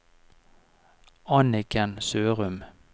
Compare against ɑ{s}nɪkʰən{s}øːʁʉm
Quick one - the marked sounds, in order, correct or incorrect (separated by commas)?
incorrect, correct